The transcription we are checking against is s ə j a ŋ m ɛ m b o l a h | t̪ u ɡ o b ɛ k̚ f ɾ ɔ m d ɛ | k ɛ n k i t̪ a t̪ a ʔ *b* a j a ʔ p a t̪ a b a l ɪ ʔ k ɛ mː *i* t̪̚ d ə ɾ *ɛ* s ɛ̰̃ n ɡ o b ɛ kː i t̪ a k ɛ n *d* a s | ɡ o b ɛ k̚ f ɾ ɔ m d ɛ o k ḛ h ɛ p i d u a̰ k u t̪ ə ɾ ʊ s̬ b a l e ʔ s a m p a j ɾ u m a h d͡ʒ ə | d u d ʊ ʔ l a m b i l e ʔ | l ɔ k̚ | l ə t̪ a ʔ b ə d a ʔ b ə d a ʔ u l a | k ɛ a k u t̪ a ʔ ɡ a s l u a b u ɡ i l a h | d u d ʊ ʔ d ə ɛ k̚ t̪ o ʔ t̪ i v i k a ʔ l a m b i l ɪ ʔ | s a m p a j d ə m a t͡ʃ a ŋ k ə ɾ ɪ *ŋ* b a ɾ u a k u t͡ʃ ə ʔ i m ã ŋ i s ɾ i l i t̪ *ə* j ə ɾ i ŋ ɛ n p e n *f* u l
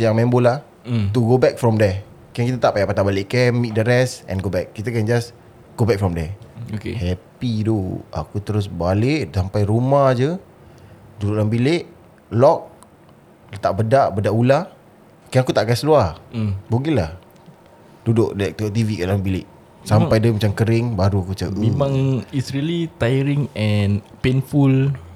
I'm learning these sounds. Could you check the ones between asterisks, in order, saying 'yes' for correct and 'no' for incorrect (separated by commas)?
no, yes, yes, no, yes, no, yes